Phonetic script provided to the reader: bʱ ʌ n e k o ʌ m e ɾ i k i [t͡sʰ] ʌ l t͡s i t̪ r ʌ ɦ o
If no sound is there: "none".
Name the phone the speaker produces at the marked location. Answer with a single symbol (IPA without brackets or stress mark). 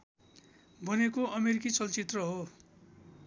t͡s